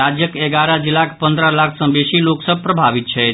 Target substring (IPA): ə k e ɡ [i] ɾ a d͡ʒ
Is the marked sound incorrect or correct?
incorrect